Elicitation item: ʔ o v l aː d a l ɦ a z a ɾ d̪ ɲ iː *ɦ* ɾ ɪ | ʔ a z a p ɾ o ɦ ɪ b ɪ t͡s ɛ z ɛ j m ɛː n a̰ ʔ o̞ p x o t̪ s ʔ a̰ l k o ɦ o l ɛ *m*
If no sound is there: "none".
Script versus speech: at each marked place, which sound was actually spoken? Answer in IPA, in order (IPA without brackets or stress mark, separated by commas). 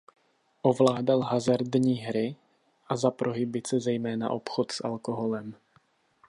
ɦ, m